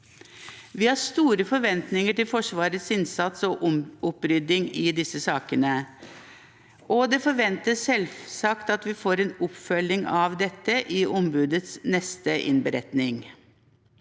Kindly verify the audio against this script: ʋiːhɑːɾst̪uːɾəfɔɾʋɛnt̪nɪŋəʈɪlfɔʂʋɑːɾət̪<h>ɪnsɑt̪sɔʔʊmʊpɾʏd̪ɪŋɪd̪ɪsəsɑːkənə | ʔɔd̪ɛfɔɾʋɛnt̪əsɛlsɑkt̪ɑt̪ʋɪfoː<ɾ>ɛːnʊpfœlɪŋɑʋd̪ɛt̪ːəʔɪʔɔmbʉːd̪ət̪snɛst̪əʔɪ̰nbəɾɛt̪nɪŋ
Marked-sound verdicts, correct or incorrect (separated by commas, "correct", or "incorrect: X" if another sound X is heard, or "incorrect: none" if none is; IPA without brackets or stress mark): incorrect: s, correct